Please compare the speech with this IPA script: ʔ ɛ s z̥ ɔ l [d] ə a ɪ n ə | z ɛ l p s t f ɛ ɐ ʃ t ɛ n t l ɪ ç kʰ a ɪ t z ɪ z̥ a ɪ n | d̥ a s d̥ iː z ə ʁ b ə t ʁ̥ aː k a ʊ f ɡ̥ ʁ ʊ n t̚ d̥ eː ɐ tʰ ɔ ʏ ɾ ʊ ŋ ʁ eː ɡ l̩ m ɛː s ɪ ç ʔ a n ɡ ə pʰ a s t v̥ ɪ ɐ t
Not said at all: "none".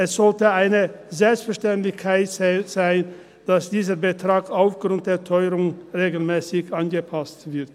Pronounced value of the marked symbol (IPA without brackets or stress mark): t